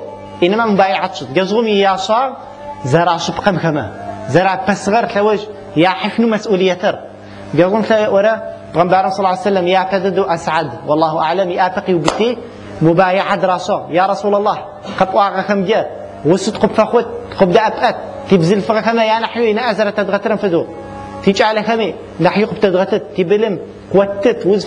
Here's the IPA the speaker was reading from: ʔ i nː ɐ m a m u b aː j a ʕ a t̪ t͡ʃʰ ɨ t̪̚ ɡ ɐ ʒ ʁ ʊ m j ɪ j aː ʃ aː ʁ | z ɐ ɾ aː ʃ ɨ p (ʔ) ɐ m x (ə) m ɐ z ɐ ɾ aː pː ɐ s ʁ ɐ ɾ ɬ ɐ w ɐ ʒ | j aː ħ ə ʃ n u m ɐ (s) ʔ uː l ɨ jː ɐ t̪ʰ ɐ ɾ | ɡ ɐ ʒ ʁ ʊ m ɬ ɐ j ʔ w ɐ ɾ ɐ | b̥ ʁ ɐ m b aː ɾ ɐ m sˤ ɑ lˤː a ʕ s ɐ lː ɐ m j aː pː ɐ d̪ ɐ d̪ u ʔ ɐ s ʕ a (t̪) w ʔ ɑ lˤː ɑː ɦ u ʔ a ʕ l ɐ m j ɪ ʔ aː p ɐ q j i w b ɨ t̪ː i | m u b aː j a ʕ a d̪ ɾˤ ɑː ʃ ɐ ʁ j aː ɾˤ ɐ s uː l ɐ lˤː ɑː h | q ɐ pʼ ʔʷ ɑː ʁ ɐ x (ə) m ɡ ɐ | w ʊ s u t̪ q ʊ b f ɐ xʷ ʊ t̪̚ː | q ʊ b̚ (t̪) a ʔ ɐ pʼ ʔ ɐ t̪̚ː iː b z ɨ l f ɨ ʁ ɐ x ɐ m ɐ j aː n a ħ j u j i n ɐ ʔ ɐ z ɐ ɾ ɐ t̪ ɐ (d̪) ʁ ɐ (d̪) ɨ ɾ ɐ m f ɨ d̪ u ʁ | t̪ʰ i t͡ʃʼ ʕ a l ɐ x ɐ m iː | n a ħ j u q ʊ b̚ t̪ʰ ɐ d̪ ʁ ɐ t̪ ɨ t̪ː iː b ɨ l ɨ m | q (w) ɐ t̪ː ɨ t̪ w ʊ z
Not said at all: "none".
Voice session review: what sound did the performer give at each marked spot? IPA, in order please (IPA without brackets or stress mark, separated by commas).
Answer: q, ɐ, s, d̪, ɐ, d̪, d̪, t̪, w